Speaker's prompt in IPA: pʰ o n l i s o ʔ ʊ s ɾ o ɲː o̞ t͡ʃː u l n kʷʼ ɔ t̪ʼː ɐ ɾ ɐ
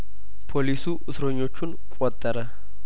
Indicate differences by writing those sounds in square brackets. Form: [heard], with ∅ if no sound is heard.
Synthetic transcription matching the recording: pʰ o [∅] l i s [u] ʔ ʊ s ɾ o ɲː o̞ t͡ʃː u [∅] n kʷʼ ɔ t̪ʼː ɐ ɾ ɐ